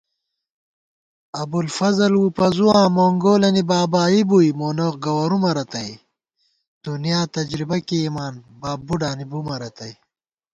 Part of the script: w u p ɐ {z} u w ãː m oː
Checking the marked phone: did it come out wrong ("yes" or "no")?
no